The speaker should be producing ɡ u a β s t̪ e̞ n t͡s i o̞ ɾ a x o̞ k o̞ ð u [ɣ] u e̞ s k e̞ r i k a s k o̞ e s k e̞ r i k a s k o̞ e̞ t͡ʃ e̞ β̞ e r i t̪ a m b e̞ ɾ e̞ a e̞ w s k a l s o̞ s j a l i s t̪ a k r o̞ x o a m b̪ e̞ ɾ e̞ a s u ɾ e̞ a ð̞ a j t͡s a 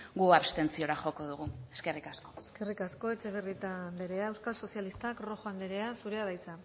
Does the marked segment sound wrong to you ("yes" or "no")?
no